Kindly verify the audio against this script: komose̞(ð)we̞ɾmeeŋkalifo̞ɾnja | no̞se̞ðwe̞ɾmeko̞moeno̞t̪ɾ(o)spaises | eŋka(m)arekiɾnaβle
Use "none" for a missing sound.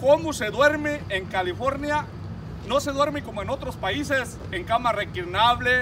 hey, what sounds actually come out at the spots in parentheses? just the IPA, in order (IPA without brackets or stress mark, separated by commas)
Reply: ð, o, m